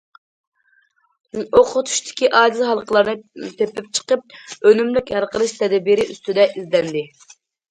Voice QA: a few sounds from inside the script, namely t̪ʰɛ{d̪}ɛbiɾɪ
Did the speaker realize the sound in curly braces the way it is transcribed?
yes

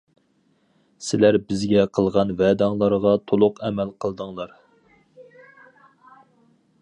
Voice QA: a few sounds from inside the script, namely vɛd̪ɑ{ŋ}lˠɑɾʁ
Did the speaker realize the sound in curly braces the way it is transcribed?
yes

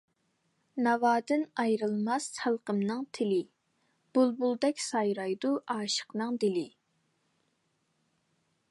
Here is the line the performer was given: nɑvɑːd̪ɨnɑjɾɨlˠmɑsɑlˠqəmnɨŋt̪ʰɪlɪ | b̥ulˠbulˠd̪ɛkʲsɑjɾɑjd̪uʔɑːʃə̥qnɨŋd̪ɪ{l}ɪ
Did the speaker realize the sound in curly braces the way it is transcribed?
yes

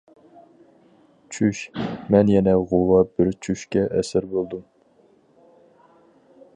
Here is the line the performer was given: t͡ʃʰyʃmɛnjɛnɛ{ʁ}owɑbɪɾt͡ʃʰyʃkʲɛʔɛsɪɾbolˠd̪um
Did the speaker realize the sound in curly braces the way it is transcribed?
yes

